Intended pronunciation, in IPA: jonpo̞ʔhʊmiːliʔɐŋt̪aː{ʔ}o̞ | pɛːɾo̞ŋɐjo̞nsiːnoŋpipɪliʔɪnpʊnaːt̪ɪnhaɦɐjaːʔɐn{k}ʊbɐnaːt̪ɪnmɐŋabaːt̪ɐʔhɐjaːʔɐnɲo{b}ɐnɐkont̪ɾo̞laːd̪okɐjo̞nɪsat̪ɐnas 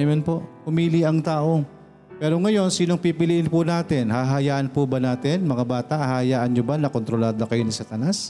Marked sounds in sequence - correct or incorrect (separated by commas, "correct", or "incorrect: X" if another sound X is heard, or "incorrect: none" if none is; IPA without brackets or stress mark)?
correct, incorrect: p, correct